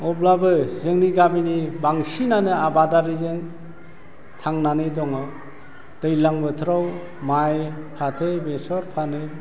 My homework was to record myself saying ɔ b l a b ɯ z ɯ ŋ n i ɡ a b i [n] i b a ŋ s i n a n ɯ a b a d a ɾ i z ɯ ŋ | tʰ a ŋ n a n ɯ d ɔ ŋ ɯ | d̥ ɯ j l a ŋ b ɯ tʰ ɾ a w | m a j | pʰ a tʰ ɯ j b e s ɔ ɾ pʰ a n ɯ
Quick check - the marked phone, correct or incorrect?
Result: correct